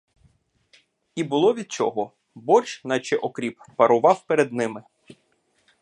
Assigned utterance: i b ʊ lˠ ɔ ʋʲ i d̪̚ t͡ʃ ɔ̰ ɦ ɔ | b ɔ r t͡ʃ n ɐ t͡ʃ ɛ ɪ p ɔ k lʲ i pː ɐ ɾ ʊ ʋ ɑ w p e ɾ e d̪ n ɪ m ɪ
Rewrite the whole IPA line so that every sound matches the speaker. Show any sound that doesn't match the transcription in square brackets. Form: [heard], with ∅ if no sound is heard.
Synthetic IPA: i b ʊ lˠ ɔ ʋʲ i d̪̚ t͡ʃ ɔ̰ ɦ ɔ | b ɔ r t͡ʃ n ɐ t͡ʃ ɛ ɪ [ʔ] ɔ k [ɾʲ] i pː ɐ ɾ ʊ ʋ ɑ w p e ɾ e d̪ n ɪ m ɪ